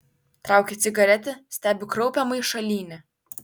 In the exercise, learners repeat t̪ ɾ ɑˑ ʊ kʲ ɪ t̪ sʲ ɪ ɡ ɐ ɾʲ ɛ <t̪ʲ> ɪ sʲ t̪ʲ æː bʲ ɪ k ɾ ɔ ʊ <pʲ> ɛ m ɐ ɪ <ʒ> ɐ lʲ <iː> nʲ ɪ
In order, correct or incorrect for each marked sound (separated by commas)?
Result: correct, correct, incorrect, correct